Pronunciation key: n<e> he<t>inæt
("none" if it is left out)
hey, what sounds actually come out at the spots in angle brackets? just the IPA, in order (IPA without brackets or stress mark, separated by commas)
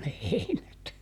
e, none